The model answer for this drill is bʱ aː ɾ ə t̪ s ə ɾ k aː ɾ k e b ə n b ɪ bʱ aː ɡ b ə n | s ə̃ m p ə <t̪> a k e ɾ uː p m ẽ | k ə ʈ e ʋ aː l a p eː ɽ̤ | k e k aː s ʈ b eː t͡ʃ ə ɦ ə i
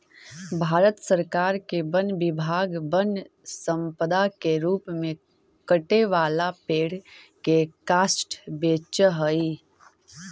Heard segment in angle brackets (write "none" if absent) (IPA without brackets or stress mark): d̪